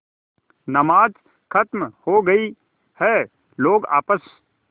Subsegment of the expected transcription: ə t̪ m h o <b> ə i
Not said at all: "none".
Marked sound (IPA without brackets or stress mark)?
ɡ